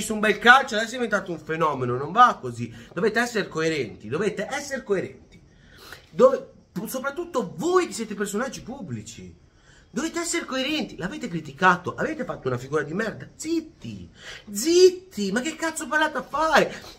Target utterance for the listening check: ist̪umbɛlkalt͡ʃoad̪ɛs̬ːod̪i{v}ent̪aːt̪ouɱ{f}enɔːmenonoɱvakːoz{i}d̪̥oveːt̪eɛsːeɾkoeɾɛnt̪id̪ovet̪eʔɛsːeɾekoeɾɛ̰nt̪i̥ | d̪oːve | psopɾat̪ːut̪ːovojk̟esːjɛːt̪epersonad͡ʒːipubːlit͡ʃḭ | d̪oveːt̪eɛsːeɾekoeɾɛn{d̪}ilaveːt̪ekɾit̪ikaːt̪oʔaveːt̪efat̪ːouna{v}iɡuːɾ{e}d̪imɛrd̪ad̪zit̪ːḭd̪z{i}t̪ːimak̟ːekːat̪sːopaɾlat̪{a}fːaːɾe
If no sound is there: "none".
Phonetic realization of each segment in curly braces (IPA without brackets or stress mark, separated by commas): v, f, i, t̪, f, a, i, a